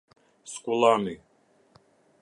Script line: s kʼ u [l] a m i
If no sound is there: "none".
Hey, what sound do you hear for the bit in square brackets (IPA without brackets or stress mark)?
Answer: l